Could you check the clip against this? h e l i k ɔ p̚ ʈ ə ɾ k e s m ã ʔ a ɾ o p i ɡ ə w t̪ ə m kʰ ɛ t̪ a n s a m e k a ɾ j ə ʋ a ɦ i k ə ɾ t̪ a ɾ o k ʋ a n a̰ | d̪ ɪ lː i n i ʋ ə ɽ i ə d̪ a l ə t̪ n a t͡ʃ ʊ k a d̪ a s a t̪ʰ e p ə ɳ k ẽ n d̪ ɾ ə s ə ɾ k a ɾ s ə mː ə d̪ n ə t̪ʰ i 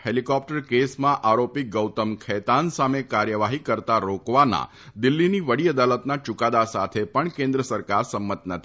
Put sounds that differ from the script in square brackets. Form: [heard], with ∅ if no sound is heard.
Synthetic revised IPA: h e l i k ɔ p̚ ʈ ə ɾ k e s m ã ʔ a ɾ o p i ɡ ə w t̪ ə m kʰ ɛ t̪ a n s a m e k a ɾ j ə ʋ a ɦ i k ə ɾ t̪ a ɾ o k ʋ a n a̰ | d̪ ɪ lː i n i ʋ ə ɽ i ə d̪ a l ə t̪ n a t͡ʃ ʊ k a d̪ a s a t̪ʰ e p ə ɳ k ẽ n d̪ ɾ ə s ə ɾ k a ɾ s ə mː ə [t̪] n ə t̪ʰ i